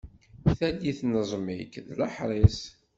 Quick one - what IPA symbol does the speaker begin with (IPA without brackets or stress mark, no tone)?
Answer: θ